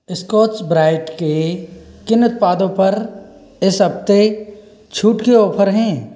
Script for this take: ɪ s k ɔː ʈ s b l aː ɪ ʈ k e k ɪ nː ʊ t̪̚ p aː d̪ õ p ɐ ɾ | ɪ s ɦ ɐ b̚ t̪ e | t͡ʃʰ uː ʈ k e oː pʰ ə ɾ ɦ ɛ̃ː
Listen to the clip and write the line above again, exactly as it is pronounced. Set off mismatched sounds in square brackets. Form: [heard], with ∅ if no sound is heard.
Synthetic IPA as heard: ɪ s k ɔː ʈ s b [ɾ] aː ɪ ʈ k e k ɪ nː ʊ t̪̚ p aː d̪ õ p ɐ ɾ | ɪ s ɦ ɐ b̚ t̪ e | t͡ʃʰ uː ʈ k e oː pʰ ə ɾ ɦ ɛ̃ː